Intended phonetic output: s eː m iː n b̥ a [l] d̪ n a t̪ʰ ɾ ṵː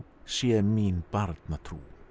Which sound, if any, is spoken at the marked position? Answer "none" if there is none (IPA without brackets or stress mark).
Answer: ɾ